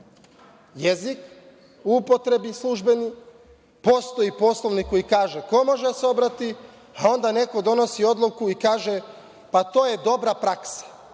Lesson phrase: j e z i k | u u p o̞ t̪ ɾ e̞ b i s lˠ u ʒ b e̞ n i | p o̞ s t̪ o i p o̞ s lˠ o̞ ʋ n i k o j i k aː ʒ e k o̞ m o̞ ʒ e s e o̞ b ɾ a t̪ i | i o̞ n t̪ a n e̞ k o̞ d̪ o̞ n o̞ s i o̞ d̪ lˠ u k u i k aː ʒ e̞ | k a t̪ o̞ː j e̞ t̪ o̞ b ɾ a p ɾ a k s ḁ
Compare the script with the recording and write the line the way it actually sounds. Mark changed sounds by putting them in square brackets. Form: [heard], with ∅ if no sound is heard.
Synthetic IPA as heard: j e z i k | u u p o̞ t̪ ɾ e̞ b i s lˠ u ʒ b e̞ n i | p o̞ s t̪ o i p o̞ s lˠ o̞ ʋ n i k o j i k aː ʒ e k o̞ m o̞ ʒ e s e o̞ b ɾ a t̪ i | [a] o̞ n [d̪] a n e̞ k o̞ d̪ o̞ n o̞ s i o̞ d̪ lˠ u k u i k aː ʒ e̞ | [p] a t̪ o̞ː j e̞ [d̪] o̞ b ɾ a p ɾ a k s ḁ